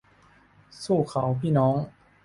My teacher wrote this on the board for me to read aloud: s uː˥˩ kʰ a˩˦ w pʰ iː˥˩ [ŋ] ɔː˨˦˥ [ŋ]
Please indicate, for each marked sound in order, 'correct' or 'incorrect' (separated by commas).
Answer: incorrect, correct